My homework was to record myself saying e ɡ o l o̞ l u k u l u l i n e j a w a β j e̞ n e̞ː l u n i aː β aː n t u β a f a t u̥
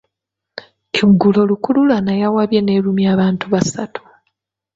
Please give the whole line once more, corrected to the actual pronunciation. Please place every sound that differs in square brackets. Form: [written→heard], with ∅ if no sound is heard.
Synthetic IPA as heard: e ɡ [o→u] l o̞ l u k u l u l [i→a] n [e→a] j a w a β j e̞ n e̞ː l u [n→m] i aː β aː n t u β a [f→s] a t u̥